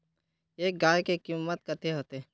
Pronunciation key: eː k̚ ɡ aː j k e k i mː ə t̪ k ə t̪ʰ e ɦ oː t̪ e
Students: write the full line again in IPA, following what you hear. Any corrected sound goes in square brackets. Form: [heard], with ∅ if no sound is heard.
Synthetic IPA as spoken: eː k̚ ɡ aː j k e k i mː ə t̪ k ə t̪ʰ e ɦ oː t̪ e